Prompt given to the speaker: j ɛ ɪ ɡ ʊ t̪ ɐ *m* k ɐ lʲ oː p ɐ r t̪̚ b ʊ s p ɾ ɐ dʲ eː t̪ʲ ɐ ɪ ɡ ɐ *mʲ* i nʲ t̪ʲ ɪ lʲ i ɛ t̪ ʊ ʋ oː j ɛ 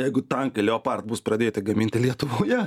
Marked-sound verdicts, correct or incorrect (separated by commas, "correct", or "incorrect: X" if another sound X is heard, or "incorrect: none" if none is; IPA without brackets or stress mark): incorrect: ŋ, correct